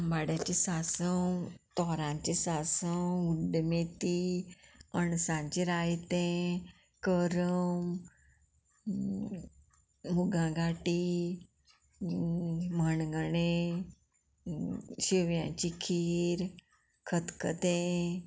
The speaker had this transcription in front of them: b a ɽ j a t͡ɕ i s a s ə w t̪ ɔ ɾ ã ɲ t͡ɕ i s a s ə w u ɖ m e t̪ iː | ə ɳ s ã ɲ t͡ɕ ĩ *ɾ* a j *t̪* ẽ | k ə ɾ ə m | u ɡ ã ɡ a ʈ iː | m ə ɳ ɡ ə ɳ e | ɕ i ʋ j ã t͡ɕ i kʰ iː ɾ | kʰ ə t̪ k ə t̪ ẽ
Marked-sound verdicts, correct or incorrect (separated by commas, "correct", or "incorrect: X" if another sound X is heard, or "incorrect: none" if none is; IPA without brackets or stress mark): correct, correct